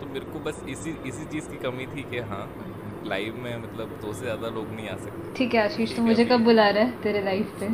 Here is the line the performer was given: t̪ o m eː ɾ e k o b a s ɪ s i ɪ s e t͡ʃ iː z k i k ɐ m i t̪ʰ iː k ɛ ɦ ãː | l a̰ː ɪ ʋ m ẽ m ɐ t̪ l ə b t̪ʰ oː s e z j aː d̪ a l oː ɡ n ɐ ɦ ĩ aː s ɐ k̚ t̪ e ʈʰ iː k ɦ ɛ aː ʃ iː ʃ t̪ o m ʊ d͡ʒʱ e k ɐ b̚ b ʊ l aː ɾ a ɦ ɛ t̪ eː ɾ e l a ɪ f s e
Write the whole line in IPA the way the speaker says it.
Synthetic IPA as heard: t̪ o m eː ɾ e k o b ɐ s ɪ s i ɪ s i t͡ʃ iː z k i k ɐ m i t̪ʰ iː k ɛ ɦ ãː | l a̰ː ɪ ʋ m ẽ m ɐ t̪ l ə b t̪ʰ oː s e z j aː d̪ a l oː ɡ n ɐ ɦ ĩ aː s ɐ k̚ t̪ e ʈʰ iː k ɦ ɛ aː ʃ iː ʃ t̪ o m ʊ d͡ʒʱ e k ɐ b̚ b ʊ l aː ɾ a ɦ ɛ t̪ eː ɾ e l a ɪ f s e